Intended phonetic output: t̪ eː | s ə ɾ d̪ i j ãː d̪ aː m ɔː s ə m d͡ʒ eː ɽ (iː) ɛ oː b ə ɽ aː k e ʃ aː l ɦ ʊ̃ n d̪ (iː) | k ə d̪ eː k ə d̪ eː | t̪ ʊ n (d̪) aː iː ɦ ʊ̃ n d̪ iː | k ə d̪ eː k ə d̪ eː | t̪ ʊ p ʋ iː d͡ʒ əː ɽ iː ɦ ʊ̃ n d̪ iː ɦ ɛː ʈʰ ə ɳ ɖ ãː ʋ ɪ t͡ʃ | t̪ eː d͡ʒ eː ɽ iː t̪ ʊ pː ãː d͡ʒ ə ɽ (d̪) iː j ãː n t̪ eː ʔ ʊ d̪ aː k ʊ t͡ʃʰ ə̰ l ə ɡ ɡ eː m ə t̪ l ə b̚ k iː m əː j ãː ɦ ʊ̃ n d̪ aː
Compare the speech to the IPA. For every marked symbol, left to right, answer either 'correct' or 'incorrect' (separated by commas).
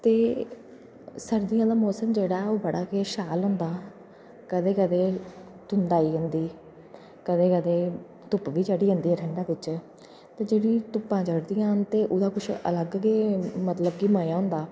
incorrect, incorrect, correct, correct